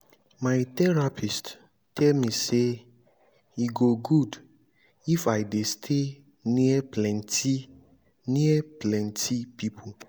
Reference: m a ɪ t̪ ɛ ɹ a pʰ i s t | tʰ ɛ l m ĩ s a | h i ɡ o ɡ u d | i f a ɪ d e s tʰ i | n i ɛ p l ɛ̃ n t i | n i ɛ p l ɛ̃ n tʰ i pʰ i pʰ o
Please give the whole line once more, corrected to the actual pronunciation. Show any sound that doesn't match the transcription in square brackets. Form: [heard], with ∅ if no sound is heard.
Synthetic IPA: m a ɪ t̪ ɛ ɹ a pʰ i s t | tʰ ɛ l m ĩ s [e] | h i ɡ o ɡ u d | i f a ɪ d e s tʰ [e] | n i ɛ p l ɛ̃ n t i | n i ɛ p l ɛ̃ n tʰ i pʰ i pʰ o